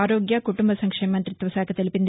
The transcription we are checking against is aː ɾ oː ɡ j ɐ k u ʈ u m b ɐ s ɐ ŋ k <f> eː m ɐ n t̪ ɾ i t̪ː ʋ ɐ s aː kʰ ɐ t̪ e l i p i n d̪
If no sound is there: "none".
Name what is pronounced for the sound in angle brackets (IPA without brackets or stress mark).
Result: ʂ